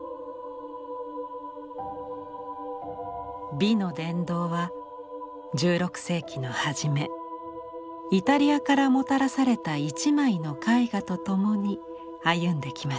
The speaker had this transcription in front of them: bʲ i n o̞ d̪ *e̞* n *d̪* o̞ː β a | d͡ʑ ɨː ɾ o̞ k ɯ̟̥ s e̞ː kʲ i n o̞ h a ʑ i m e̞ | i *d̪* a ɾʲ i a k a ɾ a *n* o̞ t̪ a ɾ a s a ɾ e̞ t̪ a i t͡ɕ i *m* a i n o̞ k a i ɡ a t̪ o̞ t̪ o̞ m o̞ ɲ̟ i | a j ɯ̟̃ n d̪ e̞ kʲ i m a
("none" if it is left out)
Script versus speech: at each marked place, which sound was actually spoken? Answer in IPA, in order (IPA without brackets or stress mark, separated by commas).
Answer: ẽ̞, d̪, t̪, m, m